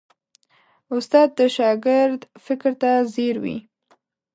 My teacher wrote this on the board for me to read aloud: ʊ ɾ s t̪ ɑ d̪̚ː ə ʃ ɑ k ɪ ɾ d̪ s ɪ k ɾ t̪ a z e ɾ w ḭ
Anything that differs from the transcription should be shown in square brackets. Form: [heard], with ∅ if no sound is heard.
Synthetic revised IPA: ʊ [∅] s t̪ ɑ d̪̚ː ə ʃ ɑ [ɡ] ɪ ɾ d̪ [f] ɪ k ɾ t̪ a z e ɾ w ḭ